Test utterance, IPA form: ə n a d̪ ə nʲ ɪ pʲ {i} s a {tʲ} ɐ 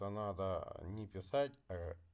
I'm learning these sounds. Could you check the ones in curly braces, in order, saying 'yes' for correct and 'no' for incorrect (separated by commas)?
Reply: no, yes